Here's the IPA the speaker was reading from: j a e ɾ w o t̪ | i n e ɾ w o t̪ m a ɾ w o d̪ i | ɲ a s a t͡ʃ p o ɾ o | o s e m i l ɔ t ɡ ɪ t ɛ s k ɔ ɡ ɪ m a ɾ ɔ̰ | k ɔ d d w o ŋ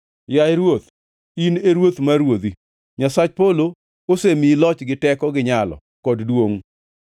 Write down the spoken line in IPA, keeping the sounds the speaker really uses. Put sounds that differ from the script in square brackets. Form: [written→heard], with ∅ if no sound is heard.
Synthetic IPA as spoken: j a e ɾ w o t̪ | i n e ɾ w o t̪ m a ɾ w o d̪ i | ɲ a s a t͡ʃ p o [ɾ→l] o | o s e m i l ɔ [t→t͡ʃ] ɡ ɪ t ɛ [s→∅] k ɔ ɡ ɪ [m→ɲ] a [ɾ→l] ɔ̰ | k ɔ d d w o ŋ